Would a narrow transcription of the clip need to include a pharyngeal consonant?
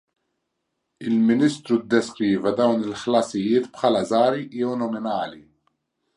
yes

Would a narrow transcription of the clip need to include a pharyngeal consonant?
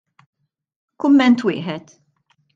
yes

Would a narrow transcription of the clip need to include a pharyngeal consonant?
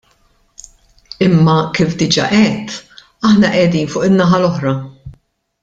yes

